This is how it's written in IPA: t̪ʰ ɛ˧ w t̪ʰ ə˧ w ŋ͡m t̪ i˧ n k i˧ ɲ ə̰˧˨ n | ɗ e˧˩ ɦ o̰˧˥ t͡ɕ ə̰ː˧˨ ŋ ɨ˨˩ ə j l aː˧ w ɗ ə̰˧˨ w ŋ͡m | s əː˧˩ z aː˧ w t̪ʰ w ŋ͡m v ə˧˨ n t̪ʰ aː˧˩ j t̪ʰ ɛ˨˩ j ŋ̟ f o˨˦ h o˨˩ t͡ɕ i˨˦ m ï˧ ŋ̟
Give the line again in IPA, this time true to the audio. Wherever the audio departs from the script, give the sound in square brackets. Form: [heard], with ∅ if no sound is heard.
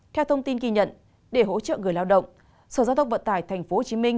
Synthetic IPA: t̪ʰ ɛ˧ w t̪ʰ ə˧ w ŋ͡m t̪ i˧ n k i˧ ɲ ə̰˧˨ n | ɗ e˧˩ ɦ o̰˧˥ t͡ɕ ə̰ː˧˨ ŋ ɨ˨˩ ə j l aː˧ w ɗ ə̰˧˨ w ŋ͡m | s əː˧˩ z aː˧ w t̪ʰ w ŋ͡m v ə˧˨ n [t̪] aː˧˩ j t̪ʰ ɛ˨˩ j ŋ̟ f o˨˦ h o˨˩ t͡ɕ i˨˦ m ï˧ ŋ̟